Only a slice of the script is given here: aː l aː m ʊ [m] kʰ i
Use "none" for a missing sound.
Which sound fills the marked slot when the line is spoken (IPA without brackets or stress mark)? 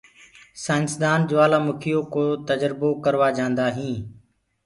none